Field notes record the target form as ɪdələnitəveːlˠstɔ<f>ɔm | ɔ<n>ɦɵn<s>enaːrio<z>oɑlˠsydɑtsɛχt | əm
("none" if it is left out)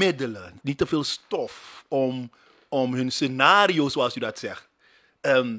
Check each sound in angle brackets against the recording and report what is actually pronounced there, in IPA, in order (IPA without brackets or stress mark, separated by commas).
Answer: f, m, s, s